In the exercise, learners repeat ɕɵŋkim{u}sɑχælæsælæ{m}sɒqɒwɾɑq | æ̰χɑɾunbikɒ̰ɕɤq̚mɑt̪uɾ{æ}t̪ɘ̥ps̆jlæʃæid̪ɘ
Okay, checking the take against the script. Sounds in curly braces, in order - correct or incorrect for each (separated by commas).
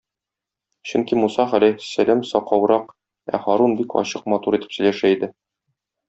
correct, correct, incorrect